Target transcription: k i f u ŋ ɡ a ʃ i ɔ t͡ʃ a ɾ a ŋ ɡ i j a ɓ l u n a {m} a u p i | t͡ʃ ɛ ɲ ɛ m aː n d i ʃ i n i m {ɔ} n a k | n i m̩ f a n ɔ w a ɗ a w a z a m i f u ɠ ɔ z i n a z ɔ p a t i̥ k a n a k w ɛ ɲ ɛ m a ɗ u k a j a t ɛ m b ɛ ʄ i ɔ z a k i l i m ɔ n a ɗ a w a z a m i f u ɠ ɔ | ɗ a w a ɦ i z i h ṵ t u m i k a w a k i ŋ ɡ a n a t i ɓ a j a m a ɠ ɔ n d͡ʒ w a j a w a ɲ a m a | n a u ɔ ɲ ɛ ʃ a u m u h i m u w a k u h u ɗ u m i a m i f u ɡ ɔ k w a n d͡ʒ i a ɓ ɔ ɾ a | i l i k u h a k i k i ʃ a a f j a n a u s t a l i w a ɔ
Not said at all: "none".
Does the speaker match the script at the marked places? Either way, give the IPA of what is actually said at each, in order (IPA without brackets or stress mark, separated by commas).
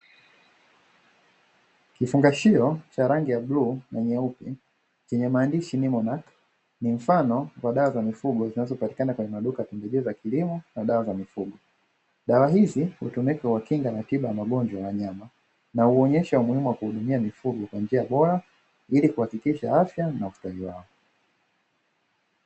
ɲ, ɔ